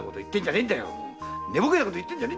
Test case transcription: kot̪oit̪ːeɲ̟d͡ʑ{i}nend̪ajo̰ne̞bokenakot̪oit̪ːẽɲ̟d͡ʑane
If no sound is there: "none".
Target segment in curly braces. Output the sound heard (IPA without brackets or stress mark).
a